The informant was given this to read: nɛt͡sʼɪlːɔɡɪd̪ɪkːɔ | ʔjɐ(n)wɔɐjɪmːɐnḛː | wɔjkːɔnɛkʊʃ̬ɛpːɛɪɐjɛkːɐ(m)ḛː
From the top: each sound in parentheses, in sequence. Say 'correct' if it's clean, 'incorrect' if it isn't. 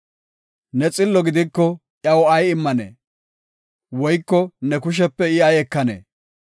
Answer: incorrect: none, incorrect: n

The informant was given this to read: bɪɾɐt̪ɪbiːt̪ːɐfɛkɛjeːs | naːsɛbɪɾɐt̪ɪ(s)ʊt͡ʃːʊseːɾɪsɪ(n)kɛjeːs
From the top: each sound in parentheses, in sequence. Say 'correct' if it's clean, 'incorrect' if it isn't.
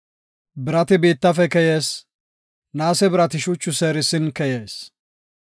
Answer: incorrect: ʃ, correct

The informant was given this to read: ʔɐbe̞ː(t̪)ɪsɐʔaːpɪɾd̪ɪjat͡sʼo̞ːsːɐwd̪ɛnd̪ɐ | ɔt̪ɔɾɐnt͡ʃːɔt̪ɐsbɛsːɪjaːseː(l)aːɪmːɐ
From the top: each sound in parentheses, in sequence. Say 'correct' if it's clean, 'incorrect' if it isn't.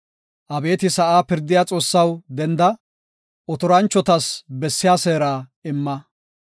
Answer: correct, incorrect: ɾ

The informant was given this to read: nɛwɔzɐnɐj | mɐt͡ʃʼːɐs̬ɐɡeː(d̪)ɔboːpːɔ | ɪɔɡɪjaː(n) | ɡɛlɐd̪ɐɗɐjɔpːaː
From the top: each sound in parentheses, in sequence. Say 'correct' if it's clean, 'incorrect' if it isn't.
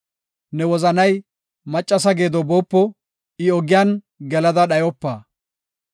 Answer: correct, correct

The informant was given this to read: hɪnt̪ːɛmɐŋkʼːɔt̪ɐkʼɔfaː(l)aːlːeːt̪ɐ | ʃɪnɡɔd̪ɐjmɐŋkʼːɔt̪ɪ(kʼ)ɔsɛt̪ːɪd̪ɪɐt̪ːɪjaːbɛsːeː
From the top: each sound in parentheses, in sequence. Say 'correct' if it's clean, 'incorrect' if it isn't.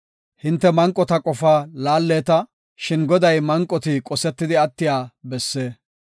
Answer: correct, correct

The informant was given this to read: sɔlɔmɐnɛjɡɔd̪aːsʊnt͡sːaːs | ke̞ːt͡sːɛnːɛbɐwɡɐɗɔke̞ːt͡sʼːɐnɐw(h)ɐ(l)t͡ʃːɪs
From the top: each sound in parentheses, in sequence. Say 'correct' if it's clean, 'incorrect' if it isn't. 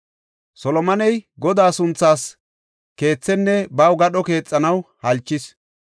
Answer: correct, correct

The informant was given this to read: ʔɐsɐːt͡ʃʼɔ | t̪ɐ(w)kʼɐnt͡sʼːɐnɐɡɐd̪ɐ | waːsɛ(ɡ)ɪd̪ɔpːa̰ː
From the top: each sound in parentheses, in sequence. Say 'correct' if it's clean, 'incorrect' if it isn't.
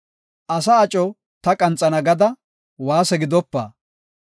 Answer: incorrect: none, correct

